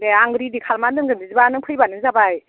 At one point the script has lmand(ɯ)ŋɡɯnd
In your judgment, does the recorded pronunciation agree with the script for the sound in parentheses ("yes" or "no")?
yes